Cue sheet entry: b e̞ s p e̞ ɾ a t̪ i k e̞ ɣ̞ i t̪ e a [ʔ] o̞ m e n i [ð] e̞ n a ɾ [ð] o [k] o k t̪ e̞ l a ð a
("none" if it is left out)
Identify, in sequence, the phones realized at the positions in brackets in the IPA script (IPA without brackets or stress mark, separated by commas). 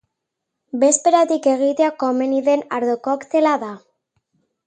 k, ð, ð, k